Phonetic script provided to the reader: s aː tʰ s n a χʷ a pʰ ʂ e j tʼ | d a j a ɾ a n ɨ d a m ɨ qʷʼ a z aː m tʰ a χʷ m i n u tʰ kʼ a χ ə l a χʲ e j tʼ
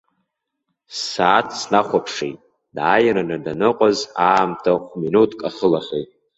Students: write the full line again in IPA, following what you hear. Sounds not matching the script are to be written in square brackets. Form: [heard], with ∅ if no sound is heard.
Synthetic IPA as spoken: s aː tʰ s n a χʷ a pʰ ʂ e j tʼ | d a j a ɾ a n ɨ d a [n] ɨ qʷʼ a z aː m tʰ a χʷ m i n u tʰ kʼ a χ ə l a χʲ e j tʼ